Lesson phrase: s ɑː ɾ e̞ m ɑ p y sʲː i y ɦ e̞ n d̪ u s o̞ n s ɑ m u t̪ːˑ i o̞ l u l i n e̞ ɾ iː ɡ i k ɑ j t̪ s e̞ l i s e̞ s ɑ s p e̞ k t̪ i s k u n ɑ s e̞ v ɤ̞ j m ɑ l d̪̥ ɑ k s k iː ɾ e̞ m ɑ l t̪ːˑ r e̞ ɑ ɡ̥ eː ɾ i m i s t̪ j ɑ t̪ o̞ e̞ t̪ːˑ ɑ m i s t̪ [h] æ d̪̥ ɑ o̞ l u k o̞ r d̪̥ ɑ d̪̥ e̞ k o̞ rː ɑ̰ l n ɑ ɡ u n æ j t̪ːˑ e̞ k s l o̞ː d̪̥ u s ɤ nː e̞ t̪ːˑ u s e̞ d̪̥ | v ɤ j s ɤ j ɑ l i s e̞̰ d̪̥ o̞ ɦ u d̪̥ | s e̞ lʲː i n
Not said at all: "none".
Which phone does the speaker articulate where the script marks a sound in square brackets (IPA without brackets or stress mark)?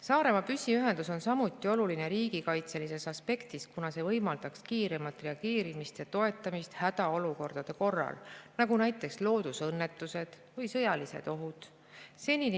h